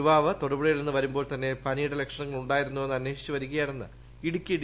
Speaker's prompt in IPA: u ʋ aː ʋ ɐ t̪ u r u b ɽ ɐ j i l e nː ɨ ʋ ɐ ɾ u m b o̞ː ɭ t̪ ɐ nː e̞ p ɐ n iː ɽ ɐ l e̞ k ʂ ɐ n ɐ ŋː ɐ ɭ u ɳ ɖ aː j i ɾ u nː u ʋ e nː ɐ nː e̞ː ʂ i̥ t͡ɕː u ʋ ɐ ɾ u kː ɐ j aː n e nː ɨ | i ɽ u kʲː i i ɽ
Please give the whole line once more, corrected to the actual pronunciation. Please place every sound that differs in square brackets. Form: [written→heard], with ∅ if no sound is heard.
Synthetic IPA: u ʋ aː ʋ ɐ t̪ [u→o] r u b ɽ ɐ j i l e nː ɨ ʋ ɐ ɾ u m b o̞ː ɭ t̪ ɐ nː e̞ p ɐ n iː ɽ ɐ l e̞ k ʂ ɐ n ɐ ŋː ɐ ɭ u ɳ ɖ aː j i ɾ u nː u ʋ e nː ɐ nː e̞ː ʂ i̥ t͡ɕː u ʋ ɐ ɾ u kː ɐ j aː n e nː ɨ | i ɽ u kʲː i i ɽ

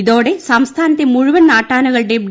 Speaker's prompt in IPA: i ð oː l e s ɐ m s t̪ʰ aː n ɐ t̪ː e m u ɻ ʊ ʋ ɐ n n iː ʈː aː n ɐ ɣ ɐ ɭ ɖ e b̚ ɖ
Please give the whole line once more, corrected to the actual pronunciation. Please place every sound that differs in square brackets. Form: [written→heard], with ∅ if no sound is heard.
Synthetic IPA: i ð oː [l→ɽ] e s ɐ m s t̪ʰ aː n ɐ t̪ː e m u ɻ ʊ ʋ ɐ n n [iː→aː] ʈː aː n ɐ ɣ ɐ ɭ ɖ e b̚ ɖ

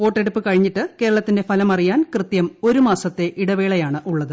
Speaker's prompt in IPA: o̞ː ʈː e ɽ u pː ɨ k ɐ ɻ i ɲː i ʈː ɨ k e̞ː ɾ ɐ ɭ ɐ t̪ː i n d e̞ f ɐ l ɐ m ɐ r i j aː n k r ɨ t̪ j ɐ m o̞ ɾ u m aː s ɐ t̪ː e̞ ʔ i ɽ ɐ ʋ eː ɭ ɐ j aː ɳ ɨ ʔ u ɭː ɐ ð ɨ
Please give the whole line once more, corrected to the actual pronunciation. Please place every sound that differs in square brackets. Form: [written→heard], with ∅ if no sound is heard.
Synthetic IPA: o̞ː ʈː e ɽ u pː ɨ k ɐ ɻ i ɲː i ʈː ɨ k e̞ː ɾ ɐ ɭ ɐ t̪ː i n d e̞ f ɐ l ɐ m ɐ r i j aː n k r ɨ t̪ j ɐ m o̞ ɾ u m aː s ɐ t̪ː e̞ ʔ i ɽ ɐ ʋ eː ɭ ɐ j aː ɳ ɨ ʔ u ɭː ɐ ð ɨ

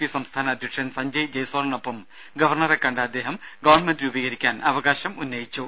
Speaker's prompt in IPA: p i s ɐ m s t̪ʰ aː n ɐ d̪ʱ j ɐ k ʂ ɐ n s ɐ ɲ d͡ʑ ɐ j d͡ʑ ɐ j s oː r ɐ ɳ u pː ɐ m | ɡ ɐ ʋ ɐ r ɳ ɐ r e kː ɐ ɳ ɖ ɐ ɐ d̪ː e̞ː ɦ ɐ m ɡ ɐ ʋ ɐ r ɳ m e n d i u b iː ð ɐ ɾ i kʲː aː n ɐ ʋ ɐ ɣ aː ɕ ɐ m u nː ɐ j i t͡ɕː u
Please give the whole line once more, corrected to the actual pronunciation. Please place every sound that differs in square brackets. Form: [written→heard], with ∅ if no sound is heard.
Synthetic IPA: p i s ɐ m s t̪ʰ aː n ɐ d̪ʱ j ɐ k ʂ ɐ n s ɐ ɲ d͡ʑ ɐ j d͡ʑ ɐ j s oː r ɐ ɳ [u→o] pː ɐ m | ɡ ɐ ʋ ɐ r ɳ ɐ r e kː ɐ ɳ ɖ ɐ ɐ d̪ː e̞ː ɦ ɐ m ɡ ɐ ʋ ɐ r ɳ m e n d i u b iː [ð→ɣ] ɐ ɾ i kʲː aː n ɐ ʋ ɐ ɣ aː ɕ ɐ m u nː ɐ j i t͡ɕː u

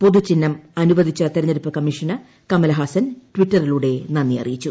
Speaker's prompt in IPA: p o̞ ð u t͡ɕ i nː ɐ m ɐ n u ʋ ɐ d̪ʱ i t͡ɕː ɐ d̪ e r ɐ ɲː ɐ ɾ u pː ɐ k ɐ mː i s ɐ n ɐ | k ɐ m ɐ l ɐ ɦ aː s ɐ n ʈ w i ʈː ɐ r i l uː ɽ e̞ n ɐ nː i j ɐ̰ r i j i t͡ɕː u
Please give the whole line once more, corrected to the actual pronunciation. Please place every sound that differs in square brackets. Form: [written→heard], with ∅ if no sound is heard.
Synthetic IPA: p o̞ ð u t͡ɕ i nː ɐ m ɐ n u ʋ ɐ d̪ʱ i t͡ɕː ɐ [d̪→t̪] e [r→ɾ] ɐ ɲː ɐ ɾ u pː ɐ k ɐ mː i [s→ʂ] ɐ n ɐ | k ɐ m ɐ l ɐ ɦ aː s ɐ n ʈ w i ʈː ɐ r i l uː ɽ e̞ n ɐ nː i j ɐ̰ r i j i t͡ɕː u

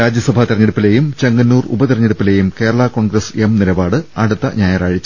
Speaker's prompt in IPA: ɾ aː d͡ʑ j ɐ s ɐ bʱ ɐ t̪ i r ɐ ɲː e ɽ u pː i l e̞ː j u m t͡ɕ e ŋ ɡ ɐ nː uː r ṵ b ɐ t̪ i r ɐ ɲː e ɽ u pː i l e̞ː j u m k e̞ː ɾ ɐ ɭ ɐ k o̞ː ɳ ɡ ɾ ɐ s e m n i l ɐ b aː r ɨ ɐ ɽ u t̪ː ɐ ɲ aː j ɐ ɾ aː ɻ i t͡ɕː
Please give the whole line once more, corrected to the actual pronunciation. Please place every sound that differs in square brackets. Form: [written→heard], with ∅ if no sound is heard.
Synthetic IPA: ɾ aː d͡ʑ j ɐ s ɐ bʱ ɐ t̪ i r ɐ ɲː e ɽ u pː i l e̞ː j u m t͡ɕ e ŋ ɡ ɐ nː uː r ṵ b ɐ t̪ i r ɐ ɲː e ɽ u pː i l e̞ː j u m k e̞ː ɾ ɐ ɭ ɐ k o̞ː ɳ ɡ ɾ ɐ s e m n i l ɐ b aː [r→ɽ] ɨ ɐ ɽ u t̪ː ɐ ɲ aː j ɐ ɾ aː ɻ i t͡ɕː

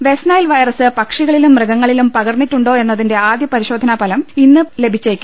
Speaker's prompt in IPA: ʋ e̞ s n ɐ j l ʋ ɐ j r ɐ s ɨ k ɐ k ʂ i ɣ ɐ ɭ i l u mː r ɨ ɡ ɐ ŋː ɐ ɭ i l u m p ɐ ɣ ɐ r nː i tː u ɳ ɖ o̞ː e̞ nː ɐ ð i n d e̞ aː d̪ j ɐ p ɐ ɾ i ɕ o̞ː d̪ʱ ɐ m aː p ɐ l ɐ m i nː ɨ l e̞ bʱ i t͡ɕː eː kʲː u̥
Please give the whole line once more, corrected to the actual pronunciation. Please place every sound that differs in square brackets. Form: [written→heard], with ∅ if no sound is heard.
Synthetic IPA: ʋ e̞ s n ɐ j l ʋ ɐ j r ɐ s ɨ [k→p] ɐ k ʂ i ɣ ɐ ɭ i l u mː r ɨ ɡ ɐ ŋː ɐ ɭ i l u m p ɐ ɣ ɐ r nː i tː u ɳ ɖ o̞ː e̞ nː ɐ ð i n d e̞ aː d̪ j ɐ p ɐ ɾ i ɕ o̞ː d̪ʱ ɐ [m→n] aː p ɐ l ɐ m i nː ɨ l e̞ bʱ i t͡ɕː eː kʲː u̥

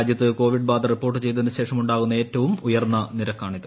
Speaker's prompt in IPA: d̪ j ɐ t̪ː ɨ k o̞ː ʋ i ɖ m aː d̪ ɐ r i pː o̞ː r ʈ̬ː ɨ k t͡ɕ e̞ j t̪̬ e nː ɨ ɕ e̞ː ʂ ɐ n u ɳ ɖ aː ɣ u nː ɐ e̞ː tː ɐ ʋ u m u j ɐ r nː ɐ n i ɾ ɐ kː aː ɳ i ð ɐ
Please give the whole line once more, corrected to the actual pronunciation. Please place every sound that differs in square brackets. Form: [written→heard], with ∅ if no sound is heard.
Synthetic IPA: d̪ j ɐ t̪ː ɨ k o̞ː ʋ i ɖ [m→b] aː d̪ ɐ r i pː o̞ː r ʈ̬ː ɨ [k→∅] t͡ɕ e̞ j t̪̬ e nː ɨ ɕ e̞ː ʂ ɐ [n→m] u ɳ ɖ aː ɣ u nː ɐ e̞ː tː ɐ ʋ u m u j ɐ r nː ɐ n i ɾ ɐ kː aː ɳ i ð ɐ

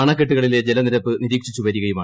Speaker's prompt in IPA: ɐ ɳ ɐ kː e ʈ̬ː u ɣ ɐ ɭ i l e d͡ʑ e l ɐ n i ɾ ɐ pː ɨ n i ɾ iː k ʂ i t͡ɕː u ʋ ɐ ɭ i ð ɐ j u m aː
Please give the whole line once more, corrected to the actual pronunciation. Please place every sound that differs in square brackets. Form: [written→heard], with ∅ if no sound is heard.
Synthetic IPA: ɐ ɳ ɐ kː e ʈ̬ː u ɣ ɐ ɭ i l e d͡ʑ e l ɐ n i ɾ ɐ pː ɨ n i ɾ iː k ʂ i t͡ɕː u ʋ ɐ [ɭ→ɾ] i [ð→ɣ] ɐ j u m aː

